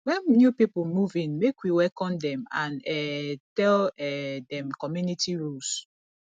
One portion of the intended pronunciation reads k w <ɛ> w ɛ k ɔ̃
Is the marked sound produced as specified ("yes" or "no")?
no